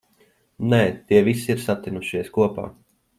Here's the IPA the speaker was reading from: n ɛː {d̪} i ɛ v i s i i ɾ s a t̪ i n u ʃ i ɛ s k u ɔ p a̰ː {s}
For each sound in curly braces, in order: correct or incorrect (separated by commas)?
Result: incorrect, incorrect